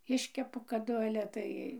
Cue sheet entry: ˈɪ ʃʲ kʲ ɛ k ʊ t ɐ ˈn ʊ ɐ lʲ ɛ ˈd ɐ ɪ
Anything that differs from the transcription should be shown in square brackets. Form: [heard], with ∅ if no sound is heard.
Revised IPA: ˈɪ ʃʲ kʲ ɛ [p] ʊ [k] ɐ [ˈd] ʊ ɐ lʲ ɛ [ˈt] ɐ ɪ

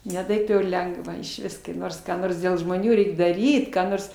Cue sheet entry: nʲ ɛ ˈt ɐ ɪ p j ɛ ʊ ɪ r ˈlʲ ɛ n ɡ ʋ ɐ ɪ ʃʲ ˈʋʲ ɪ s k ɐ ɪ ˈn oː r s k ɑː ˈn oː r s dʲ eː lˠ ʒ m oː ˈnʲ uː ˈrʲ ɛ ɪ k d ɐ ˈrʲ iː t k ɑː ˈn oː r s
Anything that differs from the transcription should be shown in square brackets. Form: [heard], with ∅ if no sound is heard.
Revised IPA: nʲ ɛ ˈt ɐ ɪ p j ɛ ʊ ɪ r ˈlʲ ɛ [ŋ] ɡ ʋ ɐ ɪ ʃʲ ˈʋʲ ɪ s k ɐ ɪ ˈn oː r s k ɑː ˈn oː r s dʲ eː lˠ ʒ m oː ˈnʲ uː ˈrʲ ɛ ɪ k d ɐ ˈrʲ iː t k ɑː ˈn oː r s

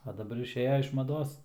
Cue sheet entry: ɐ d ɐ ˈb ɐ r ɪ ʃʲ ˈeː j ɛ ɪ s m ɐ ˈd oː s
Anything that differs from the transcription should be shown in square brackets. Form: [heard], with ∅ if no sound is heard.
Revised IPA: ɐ d ɐ ˈb ɐ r ɪ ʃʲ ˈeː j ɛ ɪ [ʃ] m ɐ ˈd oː s

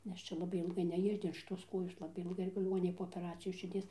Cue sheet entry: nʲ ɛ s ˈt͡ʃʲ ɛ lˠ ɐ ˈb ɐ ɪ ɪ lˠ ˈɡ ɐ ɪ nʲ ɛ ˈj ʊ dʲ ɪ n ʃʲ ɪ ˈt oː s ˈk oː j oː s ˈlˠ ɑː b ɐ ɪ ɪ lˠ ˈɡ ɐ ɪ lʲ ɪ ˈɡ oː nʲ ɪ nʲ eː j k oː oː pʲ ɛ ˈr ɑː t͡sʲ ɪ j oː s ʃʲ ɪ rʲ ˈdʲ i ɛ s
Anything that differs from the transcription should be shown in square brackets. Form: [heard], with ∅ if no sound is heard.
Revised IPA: nʲ ɛ s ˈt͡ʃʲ ɛ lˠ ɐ ˈb ɐ ɪ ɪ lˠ ˈɡ ɐ ɪ nʲ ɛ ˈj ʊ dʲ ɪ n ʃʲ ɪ ˈt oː s ˈk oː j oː s ˈlˠ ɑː b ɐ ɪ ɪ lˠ ˈɡ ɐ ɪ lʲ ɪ ˈɡ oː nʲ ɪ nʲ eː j [p] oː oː pʲ ɛ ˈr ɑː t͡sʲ ɪ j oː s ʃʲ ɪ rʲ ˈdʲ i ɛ s

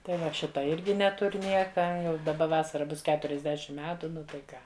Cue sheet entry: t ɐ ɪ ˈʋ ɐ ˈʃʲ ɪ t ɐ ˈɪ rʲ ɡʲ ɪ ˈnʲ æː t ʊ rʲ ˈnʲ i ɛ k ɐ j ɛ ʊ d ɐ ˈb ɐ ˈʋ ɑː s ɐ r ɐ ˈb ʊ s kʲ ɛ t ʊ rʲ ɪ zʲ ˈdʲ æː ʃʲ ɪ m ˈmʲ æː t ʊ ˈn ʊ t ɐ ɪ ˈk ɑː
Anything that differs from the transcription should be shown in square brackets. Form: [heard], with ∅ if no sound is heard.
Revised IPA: t ɐ ɪ ˈʋ ɐ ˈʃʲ ɪ t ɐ ˈɪ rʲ ɡʲ ɪ ˈnʲ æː t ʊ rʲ ˈnʲ i ɛ k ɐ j ɛ ʊ d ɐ ˈb ɐ ˈʋ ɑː s ɐ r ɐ ˈb ʊ s kʲ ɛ t ʊ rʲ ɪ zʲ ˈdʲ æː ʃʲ ɪ m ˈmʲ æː t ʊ ˈn ʊ t ɐ ɪ ˈk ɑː

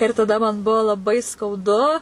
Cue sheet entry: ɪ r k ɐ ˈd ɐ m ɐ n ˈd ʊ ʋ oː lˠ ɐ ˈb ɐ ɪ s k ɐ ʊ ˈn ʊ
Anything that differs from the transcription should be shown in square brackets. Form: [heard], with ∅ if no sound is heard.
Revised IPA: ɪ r [t] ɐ ˈd ɐ m ɐ n [ˈb] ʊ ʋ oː lˠ ɐ ˈb ɐ ɪ s k ɐ ʊ [ˈd] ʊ

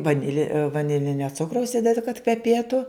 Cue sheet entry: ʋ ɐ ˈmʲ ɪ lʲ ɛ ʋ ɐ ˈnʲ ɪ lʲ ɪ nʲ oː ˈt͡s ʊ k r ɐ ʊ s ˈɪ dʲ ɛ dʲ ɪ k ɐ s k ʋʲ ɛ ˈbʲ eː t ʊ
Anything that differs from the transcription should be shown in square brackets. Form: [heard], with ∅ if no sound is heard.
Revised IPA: ʋ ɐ [ˈnʲ] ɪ lʲ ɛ ʋ ɐ ˈnʲ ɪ lʲ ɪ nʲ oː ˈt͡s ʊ k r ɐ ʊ s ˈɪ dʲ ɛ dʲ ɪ k ɐ [t] k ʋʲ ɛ [ˈpʲ] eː t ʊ

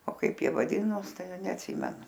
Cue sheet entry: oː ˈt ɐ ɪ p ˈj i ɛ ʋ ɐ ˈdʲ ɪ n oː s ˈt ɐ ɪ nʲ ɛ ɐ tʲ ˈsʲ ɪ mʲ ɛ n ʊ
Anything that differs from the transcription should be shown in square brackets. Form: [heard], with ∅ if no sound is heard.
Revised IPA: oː [ˈk] ɐ ɪ p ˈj i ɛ ʋ ɐ ˈdʲ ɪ n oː s ˈt ɐ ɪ nʲ ɛ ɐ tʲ ˈsʲ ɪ mʲ ɛ n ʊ

